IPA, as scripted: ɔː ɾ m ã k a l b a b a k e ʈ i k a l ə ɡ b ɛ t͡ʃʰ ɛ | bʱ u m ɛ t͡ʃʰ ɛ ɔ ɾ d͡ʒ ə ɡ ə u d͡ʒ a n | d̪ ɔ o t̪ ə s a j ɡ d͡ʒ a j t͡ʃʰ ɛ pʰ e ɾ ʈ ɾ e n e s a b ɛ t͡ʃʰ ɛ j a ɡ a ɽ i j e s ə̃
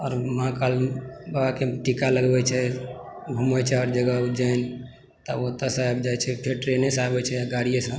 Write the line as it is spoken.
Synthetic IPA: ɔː ɾ m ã k a l b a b a k e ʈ i k a l ə ɡ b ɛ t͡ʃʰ ɛ | bʱ u m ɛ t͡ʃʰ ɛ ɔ ɾ d͡ʒ ə ɡ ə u d͡ʒ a n | t̪ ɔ o t̪ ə s a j b d͡ʒ a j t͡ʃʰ ɛ pʰ e ɾ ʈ ɾ e n e s a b ɛ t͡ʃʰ ɛ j a ɡ a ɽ i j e s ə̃